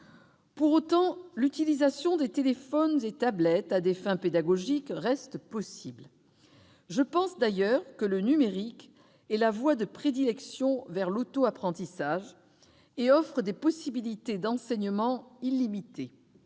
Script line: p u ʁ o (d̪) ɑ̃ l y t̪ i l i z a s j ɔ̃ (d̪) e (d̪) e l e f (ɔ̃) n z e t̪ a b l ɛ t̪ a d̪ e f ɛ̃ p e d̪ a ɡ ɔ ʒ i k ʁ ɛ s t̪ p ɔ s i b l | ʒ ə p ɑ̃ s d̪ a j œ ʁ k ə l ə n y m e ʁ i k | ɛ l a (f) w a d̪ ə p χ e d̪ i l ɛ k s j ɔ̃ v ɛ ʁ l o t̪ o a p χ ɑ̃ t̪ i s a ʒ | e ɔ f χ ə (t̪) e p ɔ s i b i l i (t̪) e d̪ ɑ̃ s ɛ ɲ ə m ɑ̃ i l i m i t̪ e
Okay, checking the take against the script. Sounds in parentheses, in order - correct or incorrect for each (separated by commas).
incorrect, correct, incorrect, incorrect, incorrect, incorrect, correct